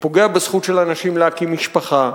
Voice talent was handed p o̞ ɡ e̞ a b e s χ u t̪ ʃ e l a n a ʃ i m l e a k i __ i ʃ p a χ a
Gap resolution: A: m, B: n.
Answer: A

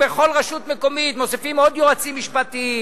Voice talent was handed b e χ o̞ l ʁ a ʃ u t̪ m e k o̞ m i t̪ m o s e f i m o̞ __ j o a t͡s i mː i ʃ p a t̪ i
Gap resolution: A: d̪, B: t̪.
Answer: A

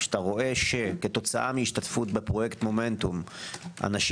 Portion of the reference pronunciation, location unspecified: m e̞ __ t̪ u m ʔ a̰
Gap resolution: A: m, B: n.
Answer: B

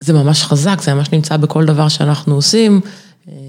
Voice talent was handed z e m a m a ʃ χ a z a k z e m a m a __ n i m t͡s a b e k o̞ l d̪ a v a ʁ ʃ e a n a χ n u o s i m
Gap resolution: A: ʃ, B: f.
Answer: A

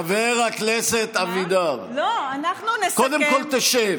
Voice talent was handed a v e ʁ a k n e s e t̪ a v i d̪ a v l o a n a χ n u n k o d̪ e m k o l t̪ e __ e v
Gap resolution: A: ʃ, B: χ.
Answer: A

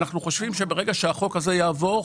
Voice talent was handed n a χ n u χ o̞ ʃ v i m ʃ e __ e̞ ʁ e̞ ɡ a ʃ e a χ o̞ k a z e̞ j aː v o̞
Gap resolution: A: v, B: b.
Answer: B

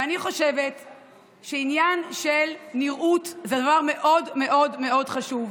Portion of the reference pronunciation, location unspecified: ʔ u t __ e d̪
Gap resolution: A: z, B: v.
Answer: A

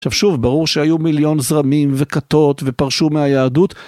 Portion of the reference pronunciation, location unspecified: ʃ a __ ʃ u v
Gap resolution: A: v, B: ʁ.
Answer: A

